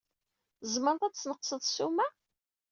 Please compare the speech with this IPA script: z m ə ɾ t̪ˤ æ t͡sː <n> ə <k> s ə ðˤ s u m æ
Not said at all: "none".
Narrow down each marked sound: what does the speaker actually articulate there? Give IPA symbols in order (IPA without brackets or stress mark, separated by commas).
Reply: n, q